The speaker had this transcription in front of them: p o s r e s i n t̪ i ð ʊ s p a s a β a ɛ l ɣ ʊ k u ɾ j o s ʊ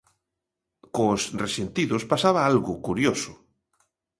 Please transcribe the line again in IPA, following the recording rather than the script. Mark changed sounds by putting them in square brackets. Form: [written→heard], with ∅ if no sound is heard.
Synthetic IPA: [p→k] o s r e s [i→e] n t̪ i ð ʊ s p a s a β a [ɛ→a] l ɣ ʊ k u ɾ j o s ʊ